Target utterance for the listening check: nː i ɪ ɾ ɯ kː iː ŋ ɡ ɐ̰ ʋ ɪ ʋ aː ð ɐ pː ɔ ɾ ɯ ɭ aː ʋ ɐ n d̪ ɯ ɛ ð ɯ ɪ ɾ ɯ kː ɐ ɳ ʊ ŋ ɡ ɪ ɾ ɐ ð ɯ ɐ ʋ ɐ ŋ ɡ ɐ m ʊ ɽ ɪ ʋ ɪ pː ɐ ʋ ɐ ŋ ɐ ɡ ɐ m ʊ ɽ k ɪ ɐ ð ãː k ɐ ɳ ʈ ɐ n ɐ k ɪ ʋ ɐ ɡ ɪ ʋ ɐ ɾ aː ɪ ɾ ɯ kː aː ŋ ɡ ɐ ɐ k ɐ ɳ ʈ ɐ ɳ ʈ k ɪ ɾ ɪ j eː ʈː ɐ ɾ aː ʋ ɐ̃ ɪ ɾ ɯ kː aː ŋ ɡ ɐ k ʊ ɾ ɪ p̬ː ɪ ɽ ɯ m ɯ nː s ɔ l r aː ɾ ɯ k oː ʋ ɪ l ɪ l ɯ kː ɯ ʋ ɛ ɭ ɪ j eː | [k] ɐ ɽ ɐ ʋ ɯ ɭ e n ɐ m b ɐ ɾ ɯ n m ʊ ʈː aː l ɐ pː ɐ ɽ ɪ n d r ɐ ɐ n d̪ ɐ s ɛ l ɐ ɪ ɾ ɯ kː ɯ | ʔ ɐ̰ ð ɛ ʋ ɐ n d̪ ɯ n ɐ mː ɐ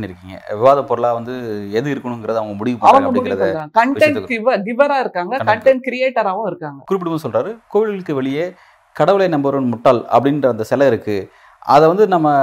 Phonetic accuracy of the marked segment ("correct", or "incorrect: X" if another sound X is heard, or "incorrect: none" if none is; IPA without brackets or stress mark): correct